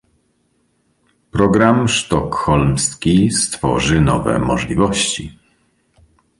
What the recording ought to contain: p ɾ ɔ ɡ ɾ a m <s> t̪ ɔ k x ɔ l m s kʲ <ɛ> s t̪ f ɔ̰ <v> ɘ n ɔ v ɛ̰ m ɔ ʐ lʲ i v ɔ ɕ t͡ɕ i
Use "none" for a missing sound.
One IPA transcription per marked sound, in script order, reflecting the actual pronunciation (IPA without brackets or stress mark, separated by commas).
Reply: ʂ, i, ʐ